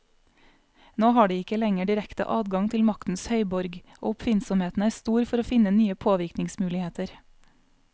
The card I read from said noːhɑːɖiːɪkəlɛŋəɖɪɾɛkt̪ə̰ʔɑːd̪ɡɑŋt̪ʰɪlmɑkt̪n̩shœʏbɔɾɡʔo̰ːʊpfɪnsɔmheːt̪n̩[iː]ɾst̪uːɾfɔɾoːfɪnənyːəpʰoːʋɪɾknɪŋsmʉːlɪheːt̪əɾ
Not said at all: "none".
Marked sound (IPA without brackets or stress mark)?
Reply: æː